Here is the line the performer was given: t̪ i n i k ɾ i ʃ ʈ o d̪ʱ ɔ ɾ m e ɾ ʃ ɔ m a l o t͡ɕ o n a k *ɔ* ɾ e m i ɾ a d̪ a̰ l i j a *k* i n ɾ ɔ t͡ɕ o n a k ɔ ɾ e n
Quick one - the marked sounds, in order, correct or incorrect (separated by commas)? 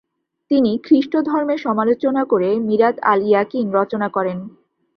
incorrect, correct